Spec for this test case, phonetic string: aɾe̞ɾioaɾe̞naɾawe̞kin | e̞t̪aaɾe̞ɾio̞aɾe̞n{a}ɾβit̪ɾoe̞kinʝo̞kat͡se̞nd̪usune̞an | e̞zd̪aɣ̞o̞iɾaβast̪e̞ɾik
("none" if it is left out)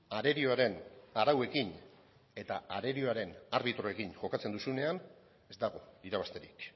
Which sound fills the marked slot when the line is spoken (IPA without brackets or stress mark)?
a